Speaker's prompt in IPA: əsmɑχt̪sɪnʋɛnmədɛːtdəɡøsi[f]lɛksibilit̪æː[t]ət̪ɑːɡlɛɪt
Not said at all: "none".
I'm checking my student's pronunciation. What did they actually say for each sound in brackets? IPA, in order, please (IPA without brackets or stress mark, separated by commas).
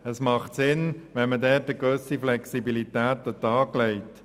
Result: f, t